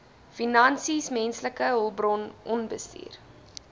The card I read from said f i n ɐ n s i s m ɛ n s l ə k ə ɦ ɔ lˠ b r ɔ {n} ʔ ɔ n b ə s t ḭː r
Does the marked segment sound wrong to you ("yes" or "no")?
no